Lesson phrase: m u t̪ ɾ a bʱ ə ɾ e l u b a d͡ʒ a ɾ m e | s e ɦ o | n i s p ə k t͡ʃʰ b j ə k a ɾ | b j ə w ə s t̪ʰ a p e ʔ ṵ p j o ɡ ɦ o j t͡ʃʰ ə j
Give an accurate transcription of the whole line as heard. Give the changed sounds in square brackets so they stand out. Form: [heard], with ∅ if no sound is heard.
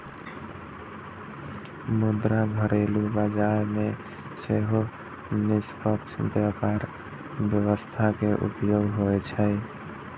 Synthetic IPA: m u [d̪] ɾ a [ɡʱ] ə ɾ e l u b a d͡ʒ a ɾ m e | s e ɦ o | n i s p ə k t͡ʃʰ b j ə k a ɾ | b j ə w ə s t̪ʰ a [k] e ʔ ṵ p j o ɡ ɦ o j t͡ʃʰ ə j